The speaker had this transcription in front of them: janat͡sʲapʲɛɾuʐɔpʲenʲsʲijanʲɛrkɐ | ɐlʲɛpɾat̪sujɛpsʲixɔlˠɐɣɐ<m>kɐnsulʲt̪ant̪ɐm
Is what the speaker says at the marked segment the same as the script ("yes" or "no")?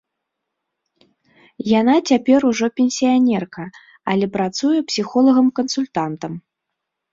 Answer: yes